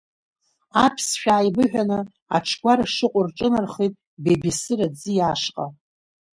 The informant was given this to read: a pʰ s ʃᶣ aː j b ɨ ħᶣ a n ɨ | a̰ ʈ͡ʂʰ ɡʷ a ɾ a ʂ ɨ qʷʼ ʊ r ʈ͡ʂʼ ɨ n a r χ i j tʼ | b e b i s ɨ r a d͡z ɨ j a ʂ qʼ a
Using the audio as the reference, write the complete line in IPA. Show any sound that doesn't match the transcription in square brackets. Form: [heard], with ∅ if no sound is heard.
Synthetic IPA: a pʰ s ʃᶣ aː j b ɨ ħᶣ a n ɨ | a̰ ʈ͡ʂʰ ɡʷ a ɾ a ʂ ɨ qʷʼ ʊ r ʈ͡ʂʼ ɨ n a r χ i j tʼ | b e b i s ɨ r a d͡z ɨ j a ʂ qʼ a